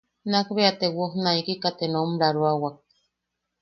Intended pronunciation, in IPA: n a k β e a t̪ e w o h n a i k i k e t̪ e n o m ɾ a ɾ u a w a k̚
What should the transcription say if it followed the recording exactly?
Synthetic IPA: n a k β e a t̪ e w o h n a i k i k a t̪ e n o m ɾ a ɾ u a w a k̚